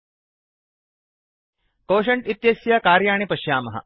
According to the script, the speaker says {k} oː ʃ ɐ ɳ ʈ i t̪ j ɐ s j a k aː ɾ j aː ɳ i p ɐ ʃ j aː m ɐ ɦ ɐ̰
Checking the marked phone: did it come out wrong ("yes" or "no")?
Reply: no